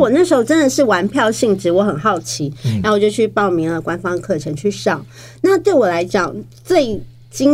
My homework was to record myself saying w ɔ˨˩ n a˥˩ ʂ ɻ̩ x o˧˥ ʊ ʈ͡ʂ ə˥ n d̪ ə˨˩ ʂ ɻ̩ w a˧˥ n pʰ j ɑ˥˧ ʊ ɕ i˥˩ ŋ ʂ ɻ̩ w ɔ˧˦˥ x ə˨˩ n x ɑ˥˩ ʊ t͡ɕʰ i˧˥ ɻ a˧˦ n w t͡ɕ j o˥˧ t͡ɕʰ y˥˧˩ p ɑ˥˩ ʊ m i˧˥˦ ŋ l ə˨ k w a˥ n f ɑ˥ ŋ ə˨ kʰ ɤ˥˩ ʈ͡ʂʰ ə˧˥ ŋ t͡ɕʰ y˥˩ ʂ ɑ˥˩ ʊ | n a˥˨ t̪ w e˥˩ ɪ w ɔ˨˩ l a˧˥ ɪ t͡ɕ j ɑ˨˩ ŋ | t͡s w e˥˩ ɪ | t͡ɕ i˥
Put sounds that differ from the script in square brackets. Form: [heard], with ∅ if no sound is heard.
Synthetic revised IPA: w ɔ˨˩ n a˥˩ ʂ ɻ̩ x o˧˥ ʊ ʈ͡ʂ ə˥ n d̪ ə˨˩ ʂ ɻ̩ w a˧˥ n pʰ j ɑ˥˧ ʊ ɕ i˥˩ ŋ [ʈ͡ʂ] ɻ̩ w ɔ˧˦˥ x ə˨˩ n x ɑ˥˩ ʊ t͡ɕʰ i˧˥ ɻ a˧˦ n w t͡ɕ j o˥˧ t͡ɕʰ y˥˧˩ p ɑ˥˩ ʊ m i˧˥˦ ŋ l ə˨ k w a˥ n f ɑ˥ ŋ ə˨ kʰ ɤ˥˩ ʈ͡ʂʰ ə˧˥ ŋ t͡ɕʰ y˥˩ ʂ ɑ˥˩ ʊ | n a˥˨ t̪ w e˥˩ ɪ w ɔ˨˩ l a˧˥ ɪ t͡ɕ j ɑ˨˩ ŋ | t͡s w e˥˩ ɪ | t͡ɕ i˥